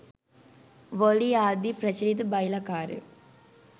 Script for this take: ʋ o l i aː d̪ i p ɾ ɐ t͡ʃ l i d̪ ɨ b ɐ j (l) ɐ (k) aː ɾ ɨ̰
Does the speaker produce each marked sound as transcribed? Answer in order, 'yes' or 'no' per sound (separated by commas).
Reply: yes, yes